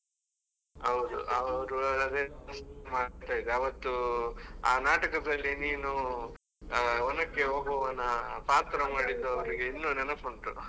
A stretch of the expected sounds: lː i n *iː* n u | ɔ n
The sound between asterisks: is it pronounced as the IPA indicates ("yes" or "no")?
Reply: yes